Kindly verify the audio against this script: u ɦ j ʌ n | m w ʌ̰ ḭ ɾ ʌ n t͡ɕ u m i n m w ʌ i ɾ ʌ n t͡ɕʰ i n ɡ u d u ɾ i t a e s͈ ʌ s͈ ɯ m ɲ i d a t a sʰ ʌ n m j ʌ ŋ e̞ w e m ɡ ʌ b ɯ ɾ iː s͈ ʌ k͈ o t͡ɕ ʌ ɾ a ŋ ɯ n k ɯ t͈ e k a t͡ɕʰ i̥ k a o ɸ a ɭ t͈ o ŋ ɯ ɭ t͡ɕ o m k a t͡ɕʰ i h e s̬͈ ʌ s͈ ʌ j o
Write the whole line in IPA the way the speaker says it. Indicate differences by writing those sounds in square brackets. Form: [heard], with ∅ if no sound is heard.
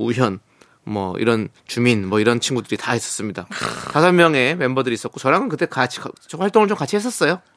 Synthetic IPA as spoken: u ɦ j ʌ n | m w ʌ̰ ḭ ɾ ʌ n t͡ɕ u m i n m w ʌ i ɾ ʌ n t͡ɕʰ i n ɡ u d [ɯ] ɾ i t a e s͈ ʌ s͈ ɯ m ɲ i d a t a sʰ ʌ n m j ʌ ŋ e̞ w e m [b] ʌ [d] ɯ ɾ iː s͈ ʌ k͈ o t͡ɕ ʌ ɾ a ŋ ɯ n k ɯ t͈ e k a t͡ɕʰ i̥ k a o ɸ a ɭ t͈ o ŋ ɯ ɭ t͡ɕ o m k a t͡ɕʰ i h e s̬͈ ʌ s͈ ʌ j o